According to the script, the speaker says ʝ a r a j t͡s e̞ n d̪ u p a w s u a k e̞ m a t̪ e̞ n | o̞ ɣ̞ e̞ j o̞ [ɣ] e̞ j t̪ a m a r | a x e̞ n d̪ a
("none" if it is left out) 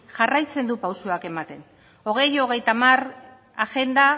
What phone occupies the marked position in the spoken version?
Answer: ɣ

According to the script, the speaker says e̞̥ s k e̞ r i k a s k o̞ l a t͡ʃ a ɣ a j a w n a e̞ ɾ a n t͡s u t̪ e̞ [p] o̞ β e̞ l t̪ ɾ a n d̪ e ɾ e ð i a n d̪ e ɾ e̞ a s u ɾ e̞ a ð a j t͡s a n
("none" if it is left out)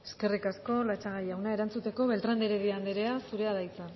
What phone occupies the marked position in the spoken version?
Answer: k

